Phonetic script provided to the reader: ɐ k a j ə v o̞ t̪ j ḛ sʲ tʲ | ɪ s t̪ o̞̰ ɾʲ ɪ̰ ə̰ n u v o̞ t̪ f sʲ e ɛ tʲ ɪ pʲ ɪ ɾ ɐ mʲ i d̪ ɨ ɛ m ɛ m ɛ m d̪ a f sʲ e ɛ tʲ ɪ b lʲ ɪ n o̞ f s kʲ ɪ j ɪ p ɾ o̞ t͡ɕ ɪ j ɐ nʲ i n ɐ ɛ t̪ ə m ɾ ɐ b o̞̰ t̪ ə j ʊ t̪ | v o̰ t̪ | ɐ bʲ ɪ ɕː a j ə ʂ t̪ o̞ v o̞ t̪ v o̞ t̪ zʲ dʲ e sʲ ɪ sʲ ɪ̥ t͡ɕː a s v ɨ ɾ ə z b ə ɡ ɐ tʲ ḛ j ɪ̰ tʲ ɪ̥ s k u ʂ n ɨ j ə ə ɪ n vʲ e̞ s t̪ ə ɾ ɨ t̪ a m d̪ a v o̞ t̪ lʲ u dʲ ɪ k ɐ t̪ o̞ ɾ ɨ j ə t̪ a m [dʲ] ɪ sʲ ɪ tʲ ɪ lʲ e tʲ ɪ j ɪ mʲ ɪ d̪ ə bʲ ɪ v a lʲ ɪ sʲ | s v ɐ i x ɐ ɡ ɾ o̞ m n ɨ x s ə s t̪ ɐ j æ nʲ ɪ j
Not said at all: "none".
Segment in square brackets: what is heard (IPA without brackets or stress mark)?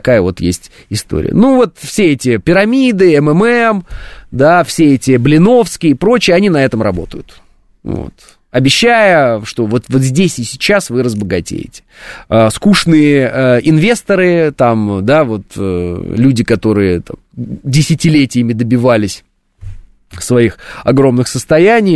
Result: dʲ